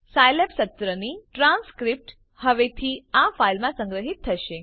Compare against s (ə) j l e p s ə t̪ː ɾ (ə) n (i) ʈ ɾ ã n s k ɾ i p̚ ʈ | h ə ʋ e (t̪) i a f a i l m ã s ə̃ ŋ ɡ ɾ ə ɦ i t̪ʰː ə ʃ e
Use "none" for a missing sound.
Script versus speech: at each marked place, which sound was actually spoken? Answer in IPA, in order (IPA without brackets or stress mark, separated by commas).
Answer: a, ə, i, t̪ʰ